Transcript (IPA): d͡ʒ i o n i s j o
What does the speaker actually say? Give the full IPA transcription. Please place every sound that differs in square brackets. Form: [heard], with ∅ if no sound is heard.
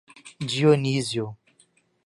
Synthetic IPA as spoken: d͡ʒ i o n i [z] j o